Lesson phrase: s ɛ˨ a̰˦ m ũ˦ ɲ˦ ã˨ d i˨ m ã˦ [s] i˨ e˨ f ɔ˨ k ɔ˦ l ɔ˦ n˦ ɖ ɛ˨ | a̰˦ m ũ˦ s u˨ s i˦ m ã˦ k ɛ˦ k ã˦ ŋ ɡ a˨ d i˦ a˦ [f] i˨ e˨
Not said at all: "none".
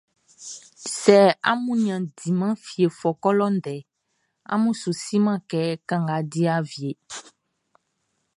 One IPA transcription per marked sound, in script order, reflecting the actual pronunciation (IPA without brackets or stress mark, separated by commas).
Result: f, v